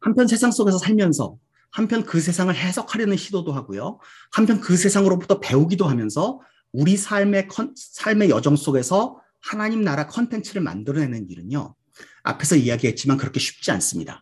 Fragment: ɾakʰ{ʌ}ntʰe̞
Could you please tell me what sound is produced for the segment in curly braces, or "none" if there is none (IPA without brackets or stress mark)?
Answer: ʌ